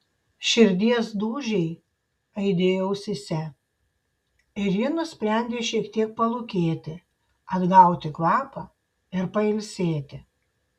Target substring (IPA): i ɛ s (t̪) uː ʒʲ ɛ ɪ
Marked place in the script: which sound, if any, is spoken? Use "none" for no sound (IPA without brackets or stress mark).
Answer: d̪